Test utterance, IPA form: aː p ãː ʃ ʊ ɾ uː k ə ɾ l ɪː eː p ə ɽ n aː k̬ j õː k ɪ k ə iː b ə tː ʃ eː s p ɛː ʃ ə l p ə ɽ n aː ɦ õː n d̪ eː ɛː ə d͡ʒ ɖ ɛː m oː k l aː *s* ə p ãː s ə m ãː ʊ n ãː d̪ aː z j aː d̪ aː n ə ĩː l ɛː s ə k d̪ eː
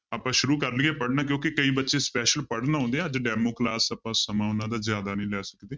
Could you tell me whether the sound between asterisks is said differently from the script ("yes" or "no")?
no